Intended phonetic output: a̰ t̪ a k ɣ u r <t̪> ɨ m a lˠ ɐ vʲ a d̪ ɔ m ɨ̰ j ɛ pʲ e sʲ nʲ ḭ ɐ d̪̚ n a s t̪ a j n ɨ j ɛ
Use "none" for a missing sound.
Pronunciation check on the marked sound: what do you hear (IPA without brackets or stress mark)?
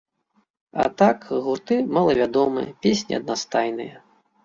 t̪